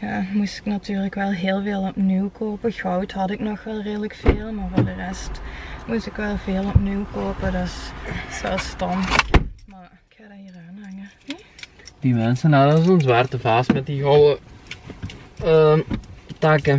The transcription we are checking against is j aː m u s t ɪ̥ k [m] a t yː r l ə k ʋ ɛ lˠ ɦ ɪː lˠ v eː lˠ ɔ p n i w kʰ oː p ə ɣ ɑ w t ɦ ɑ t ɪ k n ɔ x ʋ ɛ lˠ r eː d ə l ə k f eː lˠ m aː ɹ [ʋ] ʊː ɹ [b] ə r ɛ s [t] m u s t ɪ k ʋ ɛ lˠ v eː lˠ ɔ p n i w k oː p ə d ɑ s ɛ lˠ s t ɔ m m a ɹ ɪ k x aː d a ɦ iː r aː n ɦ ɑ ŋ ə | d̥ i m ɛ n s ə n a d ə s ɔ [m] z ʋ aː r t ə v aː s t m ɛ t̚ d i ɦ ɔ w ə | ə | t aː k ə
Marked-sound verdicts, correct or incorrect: incorrect: n, incorrect: v, incorrect: d, correct, incorrect: n

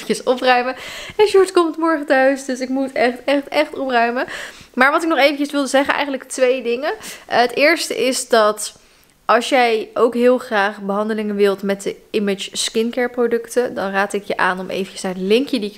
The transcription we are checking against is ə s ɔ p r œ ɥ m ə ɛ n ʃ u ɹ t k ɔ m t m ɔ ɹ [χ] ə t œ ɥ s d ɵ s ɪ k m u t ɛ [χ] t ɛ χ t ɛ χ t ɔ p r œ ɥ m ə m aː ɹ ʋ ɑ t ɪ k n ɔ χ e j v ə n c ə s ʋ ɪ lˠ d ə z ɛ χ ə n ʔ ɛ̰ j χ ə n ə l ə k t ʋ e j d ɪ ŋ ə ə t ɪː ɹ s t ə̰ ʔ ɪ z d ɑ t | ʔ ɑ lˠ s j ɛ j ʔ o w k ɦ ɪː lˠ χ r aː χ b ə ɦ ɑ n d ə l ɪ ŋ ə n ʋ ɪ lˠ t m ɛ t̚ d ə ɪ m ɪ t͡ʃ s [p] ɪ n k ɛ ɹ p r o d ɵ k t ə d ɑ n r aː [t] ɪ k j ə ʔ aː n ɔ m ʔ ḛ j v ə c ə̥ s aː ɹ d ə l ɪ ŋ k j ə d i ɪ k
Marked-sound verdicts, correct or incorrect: correct, correct, incorrect: k, correct

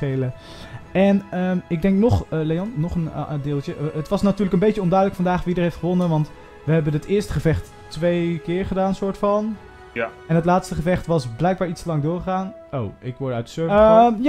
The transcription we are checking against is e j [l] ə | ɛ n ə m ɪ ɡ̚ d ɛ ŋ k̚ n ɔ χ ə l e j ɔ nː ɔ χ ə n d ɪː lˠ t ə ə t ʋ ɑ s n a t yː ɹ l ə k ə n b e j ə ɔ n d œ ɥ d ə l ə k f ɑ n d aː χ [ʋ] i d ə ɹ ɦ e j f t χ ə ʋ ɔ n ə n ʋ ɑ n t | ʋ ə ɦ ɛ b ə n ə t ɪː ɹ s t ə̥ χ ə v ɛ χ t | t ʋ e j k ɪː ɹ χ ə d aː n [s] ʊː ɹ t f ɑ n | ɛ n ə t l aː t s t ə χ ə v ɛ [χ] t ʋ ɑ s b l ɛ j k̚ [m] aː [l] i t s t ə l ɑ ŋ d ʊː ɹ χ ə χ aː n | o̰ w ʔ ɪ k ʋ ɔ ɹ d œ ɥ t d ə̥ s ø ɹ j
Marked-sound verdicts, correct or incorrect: correct, correct, correct, correct, incorrect: b, incorrect: ɹ

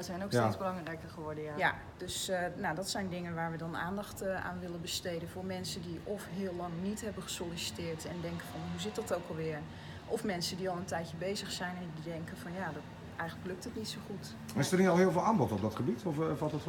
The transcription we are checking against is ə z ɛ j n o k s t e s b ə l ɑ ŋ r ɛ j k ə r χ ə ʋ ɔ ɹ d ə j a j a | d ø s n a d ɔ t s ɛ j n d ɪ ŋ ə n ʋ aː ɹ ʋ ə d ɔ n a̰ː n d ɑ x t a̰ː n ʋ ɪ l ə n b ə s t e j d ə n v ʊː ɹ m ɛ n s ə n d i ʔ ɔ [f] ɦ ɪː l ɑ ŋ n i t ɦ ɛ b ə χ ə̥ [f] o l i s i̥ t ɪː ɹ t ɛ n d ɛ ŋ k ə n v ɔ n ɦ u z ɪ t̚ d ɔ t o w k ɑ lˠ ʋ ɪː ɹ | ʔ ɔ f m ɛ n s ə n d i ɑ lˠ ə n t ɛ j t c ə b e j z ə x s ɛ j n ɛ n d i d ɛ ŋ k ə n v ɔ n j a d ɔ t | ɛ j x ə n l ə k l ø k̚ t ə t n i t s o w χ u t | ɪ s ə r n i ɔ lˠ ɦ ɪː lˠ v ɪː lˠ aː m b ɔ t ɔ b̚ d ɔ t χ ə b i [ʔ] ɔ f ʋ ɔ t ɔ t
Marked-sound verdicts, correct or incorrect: correct, incorrect: s, incorrect: t

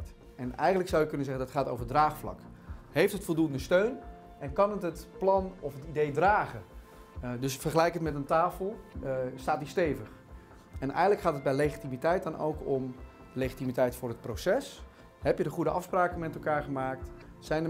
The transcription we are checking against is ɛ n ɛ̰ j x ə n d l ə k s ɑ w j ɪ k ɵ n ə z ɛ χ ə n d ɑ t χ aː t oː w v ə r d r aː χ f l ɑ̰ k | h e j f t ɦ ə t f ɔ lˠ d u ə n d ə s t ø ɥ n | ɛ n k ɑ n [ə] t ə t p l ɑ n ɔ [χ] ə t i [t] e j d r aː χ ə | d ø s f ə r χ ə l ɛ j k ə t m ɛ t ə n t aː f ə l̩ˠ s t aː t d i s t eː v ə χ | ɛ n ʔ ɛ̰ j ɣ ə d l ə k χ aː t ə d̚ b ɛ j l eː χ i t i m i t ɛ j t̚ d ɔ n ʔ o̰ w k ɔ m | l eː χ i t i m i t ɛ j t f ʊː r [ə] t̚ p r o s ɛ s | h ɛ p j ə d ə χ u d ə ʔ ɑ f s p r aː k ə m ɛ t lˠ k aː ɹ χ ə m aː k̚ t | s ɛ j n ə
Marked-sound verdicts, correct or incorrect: correct, incorrect: f, incorrect: d, correct

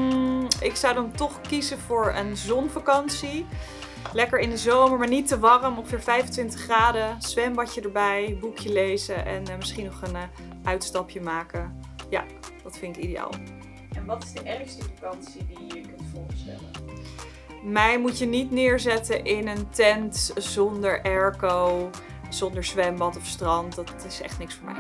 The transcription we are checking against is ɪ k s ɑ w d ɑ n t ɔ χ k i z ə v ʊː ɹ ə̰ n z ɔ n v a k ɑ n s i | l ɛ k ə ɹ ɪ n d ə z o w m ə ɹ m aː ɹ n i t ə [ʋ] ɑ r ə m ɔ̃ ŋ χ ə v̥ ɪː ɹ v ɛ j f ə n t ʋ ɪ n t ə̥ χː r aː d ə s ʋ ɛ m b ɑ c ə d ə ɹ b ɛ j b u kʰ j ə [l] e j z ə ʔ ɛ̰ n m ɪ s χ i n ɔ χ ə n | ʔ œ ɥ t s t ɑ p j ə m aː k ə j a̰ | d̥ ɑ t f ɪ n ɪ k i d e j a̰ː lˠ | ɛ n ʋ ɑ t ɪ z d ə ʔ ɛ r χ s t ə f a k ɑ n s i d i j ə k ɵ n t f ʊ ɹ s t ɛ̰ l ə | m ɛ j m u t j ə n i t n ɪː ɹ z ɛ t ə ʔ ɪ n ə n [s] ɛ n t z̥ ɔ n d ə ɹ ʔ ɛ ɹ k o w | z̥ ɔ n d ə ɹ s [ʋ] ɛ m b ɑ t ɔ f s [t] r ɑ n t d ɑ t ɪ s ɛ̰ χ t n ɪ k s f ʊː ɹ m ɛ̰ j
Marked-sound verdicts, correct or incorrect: correct, correct, incorrect: t, correct, correct

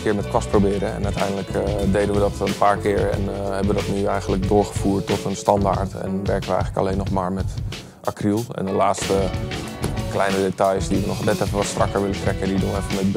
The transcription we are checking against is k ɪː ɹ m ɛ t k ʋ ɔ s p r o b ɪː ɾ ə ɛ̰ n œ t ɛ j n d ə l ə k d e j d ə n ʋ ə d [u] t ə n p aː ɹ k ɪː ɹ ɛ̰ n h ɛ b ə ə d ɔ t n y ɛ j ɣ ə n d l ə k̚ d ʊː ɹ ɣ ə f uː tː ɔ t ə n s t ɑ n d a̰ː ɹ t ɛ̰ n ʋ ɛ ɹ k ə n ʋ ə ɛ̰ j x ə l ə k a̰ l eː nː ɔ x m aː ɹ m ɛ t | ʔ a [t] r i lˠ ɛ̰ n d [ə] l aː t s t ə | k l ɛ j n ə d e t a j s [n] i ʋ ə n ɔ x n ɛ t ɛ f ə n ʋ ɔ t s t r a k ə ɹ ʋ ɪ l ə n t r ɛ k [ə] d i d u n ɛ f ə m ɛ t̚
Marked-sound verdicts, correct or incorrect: incorrect: ɔ, incorrect: k, correct, incorrect: d, correct

